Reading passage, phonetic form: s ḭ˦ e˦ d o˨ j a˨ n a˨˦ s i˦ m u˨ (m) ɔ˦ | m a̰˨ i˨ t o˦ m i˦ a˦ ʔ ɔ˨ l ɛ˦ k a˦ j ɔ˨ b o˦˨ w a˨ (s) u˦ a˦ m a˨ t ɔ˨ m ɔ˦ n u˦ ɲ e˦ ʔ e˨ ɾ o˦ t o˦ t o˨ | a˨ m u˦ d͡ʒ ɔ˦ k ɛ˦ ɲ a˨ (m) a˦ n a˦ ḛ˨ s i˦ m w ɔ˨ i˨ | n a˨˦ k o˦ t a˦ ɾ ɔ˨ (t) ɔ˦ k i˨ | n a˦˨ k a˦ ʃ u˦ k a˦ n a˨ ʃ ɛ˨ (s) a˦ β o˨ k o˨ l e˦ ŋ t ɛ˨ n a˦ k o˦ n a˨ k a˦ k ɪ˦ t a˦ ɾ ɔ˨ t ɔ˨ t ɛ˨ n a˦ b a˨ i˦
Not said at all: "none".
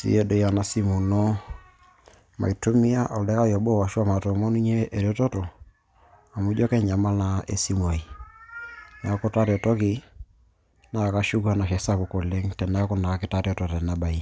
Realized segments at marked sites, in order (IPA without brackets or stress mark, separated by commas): n, ʃ, m, t, s